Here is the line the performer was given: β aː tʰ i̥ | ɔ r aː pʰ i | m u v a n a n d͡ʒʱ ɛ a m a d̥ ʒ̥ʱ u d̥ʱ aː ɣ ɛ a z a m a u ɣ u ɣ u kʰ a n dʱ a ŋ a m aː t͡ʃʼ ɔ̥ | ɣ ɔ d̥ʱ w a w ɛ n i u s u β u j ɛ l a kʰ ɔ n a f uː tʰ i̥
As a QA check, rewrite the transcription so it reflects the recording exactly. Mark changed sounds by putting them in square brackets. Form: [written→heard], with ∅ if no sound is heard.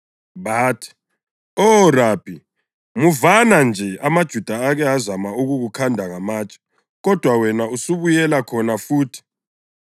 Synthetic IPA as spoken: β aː tʰ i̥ | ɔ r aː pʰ i | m u v a n a n d͡ʒʱ ɛ a m a d̥ ʒ̥ʱ u d̥ʱ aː ɣ ɛ a z a m a u ɣ u ɣ u kʰ a n dʱ a ŋ a m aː t͡ʃʼ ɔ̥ | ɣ ɔ d̥ʱ w a w ɛ n [i→a] u s u β u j ɛ l a kʰ ɔ n a f uː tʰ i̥